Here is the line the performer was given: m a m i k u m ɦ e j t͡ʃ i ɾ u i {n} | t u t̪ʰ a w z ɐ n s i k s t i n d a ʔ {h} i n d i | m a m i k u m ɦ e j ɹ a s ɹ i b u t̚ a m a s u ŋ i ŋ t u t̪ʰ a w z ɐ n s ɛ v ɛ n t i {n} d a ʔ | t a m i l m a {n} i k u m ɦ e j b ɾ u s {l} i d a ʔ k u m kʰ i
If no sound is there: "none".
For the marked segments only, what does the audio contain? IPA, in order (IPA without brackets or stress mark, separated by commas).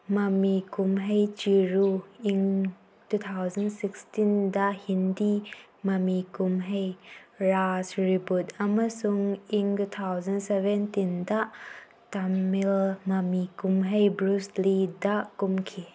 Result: ŋ, h, n, m, l